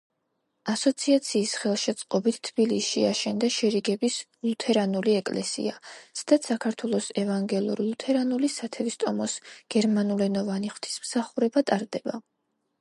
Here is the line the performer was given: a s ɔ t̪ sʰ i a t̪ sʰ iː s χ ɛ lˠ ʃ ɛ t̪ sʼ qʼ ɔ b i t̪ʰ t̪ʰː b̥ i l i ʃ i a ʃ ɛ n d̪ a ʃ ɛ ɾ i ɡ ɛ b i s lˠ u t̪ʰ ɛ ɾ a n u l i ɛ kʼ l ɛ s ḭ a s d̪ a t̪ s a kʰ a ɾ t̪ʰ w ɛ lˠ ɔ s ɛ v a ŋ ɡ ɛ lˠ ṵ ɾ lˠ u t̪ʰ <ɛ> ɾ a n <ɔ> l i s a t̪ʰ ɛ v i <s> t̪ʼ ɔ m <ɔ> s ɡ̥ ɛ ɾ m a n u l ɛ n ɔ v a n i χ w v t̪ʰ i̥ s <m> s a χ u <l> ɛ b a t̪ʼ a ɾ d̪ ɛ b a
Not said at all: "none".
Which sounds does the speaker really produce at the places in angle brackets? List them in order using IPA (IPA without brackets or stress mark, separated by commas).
ɛ, u, s, ɔ, m, ɾ